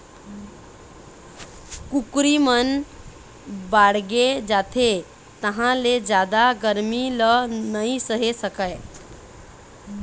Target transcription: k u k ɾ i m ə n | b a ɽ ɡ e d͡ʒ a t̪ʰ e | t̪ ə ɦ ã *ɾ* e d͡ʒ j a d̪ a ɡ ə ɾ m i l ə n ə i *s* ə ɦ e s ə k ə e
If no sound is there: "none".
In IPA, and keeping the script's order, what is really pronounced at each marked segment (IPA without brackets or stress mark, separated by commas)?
l, s